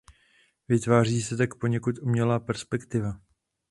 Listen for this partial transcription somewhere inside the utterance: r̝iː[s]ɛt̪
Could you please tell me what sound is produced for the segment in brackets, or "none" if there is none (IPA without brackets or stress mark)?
s